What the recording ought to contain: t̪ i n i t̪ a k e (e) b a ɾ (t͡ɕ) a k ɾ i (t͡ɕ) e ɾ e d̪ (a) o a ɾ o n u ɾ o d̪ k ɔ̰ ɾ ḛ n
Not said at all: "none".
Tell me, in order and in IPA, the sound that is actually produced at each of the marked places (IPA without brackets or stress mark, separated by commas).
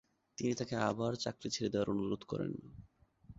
a, t͡ɕ, t͡ɕʰ, e